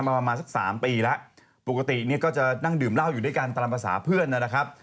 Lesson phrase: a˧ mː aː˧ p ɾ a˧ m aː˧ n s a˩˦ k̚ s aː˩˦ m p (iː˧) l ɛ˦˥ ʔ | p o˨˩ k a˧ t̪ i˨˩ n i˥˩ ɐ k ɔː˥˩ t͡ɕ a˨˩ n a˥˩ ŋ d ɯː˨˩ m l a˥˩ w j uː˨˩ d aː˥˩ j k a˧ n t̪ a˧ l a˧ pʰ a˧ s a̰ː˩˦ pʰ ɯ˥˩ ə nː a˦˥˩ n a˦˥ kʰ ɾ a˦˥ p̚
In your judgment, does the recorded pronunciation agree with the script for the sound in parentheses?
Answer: yes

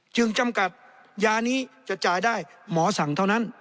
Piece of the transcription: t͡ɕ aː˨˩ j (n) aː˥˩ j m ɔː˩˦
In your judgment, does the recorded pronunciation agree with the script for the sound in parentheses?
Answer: no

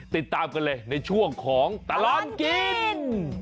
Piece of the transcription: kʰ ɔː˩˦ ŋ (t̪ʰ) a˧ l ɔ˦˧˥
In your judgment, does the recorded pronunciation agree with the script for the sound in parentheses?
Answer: no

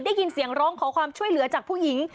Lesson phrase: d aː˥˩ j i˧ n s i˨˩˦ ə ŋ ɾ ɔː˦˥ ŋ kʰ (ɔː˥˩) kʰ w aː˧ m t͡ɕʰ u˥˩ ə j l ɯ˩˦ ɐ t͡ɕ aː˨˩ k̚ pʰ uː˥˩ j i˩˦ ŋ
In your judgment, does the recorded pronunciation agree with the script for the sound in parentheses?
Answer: no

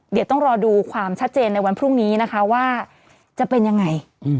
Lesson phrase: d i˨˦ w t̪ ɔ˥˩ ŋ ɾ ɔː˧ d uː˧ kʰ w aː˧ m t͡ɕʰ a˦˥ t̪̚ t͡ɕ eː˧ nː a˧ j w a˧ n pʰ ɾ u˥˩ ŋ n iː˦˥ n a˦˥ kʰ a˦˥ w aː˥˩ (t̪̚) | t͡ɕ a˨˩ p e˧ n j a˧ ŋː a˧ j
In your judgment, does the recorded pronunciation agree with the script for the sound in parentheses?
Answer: no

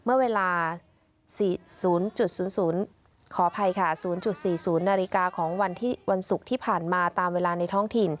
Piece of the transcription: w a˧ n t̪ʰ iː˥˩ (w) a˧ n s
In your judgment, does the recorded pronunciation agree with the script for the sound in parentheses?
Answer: yes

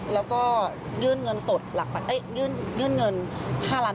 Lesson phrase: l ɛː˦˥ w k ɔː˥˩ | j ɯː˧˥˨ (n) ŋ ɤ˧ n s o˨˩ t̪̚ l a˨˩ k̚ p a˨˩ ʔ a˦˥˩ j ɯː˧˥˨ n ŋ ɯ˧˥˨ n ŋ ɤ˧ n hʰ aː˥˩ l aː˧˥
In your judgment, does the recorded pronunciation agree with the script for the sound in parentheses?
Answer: yes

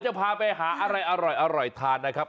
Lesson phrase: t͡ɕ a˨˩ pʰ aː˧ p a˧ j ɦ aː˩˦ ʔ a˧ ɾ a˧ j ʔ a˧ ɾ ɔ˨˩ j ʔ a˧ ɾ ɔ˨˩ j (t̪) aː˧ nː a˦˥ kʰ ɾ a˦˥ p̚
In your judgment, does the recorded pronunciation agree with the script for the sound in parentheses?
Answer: no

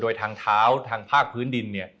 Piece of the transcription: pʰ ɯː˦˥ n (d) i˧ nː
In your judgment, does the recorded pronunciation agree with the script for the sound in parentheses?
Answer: yes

